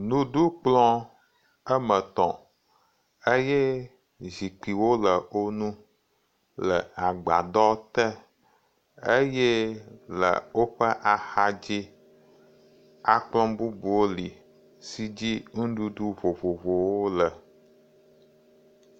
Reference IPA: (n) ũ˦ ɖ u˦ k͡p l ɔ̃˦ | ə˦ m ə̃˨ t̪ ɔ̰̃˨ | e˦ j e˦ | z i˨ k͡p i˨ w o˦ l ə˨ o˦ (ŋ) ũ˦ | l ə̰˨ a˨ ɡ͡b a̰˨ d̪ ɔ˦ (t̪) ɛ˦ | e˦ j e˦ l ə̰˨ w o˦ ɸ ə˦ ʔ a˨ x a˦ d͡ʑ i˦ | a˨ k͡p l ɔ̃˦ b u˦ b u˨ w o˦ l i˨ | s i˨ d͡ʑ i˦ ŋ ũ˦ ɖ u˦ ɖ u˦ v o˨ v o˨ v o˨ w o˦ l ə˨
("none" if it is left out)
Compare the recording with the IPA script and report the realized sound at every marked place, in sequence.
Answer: n, n, t̪

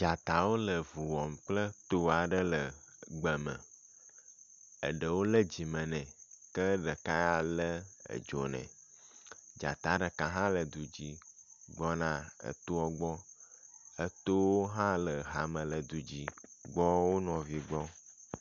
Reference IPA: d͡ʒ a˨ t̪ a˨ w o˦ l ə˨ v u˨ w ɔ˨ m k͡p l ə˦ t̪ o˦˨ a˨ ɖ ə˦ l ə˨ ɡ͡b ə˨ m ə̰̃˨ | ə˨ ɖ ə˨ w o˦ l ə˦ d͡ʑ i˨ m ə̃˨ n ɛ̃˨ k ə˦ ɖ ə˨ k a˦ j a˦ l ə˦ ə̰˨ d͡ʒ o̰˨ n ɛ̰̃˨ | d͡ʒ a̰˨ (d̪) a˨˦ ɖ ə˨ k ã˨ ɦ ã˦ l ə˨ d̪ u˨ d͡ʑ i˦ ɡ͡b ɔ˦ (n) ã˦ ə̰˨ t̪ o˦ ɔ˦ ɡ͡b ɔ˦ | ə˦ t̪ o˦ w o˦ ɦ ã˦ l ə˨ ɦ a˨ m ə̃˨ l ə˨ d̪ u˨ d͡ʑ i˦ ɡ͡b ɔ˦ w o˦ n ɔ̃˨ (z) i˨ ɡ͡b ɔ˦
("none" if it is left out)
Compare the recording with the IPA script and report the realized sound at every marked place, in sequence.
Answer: t̪, n, v

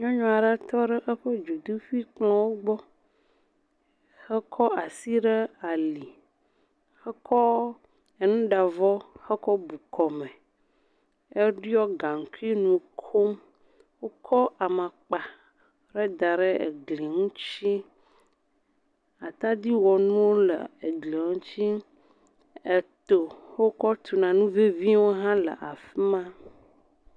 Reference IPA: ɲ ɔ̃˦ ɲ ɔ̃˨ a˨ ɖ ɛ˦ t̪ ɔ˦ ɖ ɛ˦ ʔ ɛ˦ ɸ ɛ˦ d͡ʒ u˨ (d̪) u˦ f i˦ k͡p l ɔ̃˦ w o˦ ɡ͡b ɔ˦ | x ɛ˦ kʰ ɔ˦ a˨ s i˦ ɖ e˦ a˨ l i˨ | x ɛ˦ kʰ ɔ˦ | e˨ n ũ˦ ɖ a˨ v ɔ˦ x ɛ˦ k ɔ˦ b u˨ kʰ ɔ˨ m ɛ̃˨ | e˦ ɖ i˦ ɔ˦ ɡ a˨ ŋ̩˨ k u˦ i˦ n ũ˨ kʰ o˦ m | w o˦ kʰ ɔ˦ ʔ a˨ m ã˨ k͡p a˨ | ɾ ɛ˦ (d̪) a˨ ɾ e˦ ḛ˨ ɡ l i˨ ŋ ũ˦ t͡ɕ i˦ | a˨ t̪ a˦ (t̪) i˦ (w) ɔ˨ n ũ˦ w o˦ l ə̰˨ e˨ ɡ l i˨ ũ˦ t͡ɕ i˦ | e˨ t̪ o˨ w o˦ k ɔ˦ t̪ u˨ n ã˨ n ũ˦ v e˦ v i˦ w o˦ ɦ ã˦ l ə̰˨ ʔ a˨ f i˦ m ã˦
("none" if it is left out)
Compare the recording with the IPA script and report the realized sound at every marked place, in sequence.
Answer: d̪, d̪, d̪, w

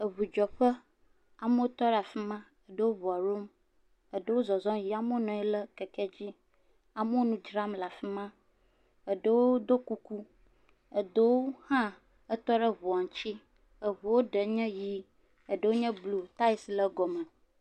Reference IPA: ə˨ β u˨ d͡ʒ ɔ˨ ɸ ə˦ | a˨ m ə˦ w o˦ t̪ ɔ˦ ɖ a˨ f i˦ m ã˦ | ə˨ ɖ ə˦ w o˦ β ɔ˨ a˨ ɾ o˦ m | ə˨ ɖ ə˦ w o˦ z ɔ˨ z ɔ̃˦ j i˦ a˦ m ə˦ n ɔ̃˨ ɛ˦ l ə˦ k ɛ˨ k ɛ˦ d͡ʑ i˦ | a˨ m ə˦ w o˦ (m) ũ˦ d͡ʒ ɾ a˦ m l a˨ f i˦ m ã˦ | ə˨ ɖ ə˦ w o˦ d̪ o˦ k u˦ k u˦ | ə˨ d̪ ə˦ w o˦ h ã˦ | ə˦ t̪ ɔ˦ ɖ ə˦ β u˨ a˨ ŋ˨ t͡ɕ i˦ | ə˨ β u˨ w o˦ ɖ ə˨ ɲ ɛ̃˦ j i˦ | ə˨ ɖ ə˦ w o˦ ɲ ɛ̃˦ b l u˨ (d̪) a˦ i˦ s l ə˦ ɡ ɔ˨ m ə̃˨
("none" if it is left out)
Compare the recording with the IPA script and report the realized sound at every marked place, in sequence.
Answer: n, t̪

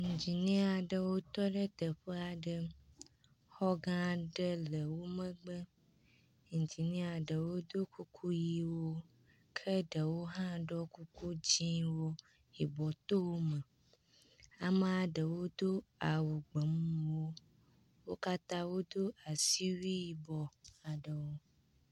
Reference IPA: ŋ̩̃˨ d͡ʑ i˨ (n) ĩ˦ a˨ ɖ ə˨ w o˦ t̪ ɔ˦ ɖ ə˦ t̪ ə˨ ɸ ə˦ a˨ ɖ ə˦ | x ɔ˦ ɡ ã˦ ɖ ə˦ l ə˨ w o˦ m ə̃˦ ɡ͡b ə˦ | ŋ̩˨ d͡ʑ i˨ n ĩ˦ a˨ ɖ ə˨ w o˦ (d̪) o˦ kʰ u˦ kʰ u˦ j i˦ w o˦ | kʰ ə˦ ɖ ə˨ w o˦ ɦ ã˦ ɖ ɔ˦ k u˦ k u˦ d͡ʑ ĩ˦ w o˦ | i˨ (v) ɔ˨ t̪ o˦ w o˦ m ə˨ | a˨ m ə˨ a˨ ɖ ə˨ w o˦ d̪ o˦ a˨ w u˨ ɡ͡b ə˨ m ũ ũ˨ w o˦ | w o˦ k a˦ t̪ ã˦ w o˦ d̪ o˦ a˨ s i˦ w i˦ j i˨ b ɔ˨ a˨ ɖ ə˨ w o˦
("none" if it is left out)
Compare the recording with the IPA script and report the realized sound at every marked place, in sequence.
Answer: n, d̪, b

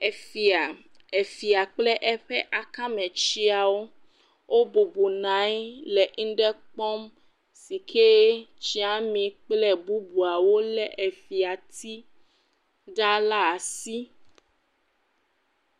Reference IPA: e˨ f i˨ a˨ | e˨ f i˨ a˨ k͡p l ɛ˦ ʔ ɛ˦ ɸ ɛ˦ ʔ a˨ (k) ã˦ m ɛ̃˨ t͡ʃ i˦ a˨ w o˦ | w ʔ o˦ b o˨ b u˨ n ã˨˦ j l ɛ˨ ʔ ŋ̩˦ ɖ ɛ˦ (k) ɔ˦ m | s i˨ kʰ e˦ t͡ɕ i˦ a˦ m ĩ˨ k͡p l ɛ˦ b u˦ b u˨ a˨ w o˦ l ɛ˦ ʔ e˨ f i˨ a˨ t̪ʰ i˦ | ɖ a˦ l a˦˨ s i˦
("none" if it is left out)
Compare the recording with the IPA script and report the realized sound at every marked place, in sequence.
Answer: k, k͡p

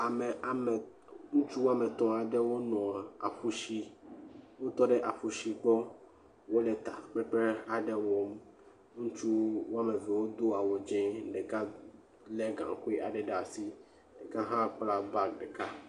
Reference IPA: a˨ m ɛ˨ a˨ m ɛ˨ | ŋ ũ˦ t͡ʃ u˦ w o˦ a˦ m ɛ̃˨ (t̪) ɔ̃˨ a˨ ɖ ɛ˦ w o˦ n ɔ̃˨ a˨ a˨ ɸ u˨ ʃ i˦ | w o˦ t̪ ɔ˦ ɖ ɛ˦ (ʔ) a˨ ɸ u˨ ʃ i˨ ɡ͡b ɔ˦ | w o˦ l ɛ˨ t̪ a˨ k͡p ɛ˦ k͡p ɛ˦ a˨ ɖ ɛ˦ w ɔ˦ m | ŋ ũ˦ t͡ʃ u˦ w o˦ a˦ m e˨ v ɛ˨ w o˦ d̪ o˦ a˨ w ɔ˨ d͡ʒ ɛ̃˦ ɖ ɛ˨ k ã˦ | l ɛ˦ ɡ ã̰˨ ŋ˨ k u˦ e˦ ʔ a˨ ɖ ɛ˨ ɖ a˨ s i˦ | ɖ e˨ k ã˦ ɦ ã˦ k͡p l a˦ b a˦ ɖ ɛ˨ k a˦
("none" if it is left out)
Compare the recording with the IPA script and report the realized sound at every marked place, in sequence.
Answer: t̪, ʔ

